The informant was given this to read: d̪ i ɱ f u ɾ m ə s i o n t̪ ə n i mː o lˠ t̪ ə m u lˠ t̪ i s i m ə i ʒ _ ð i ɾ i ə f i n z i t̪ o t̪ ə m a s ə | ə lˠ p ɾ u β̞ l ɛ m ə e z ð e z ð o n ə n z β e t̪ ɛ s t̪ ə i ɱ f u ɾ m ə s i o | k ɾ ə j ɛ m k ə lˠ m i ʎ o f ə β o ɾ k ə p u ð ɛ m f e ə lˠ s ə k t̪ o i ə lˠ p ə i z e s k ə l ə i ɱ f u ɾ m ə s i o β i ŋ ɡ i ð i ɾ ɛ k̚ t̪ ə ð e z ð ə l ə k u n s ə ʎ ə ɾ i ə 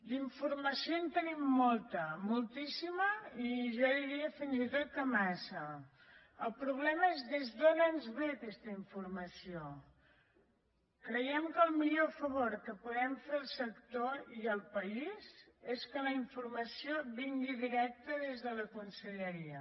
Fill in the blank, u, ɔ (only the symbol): ɔ